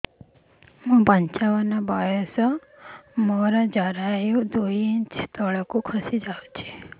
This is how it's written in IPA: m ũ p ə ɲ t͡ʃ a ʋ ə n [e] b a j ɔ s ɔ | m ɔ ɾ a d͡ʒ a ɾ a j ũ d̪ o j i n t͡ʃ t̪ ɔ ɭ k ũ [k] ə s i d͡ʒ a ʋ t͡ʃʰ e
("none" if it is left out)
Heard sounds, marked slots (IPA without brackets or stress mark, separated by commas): a, kʰ